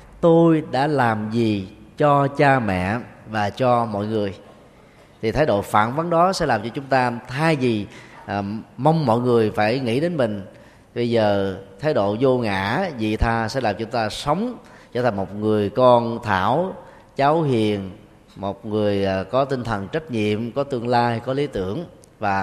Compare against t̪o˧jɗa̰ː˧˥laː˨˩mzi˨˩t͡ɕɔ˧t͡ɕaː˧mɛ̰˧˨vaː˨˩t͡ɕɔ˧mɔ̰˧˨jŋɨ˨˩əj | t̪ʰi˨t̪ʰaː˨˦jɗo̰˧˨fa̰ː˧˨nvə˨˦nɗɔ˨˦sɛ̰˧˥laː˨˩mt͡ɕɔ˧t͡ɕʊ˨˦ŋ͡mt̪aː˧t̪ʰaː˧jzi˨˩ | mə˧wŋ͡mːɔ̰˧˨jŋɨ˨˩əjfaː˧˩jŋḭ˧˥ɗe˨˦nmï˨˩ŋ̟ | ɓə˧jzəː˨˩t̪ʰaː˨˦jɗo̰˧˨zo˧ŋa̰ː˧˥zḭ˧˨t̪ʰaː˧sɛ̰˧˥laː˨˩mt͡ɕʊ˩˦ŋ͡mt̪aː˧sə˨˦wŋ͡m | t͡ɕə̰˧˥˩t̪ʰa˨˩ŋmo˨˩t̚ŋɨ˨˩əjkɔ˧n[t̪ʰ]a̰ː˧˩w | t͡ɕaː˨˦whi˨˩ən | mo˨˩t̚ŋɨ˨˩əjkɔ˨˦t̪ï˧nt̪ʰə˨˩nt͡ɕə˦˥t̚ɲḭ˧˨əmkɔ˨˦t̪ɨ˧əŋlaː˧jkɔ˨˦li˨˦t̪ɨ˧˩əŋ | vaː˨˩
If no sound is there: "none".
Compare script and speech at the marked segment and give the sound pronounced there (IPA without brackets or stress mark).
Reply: t̪ʰ